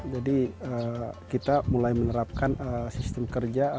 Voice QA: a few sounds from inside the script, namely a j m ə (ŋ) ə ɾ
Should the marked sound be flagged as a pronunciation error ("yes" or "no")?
yes